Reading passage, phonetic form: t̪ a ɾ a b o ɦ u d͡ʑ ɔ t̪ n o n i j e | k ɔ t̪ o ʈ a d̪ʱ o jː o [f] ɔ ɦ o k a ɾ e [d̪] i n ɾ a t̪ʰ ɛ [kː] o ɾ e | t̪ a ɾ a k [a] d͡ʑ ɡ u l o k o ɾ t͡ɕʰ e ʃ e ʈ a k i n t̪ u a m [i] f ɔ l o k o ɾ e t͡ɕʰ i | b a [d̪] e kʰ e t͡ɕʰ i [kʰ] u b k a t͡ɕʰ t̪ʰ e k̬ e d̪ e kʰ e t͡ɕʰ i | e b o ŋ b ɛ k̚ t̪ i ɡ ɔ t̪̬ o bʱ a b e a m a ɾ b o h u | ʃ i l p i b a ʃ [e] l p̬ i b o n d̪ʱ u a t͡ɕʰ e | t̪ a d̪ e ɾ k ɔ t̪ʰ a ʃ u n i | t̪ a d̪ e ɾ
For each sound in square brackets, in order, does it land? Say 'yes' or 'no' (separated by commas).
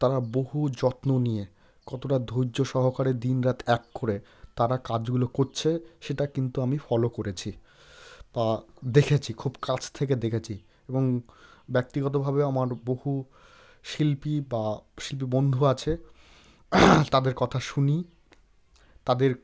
no, yes, yes, yes, yes, yes, yes, no